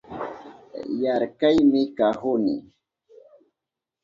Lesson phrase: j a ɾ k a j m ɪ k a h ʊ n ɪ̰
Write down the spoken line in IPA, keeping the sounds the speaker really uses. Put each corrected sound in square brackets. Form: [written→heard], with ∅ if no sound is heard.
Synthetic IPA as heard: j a ɾ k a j m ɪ k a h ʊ n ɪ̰